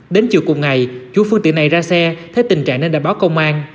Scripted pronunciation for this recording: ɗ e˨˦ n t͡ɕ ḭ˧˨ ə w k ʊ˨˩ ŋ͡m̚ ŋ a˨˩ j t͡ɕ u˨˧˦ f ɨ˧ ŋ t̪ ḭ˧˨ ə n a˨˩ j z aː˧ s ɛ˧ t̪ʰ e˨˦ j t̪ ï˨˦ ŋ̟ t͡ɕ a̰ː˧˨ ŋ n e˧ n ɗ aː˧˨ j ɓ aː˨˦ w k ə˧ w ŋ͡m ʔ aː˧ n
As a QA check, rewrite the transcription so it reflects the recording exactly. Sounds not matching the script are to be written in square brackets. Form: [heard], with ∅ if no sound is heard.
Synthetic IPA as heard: ɗ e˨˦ n t͡ɕ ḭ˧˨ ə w k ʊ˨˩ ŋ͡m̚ ŋ a˨˩ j t͡ɕ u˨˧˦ f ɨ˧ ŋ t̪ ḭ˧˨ ə n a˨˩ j z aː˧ s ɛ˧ t̪ʰ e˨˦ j t̪ [ï˨˩] ŋ̟ t͡ɕ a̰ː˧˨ ŋ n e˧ n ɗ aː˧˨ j ɓ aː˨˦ w k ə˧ w ŋ͡m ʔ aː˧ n